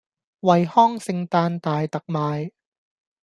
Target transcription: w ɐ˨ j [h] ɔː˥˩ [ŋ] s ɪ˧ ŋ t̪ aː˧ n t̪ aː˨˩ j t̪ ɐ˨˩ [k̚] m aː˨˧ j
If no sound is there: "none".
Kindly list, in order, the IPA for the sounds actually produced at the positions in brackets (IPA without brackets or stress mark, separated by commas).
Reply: h, ŋ, k̚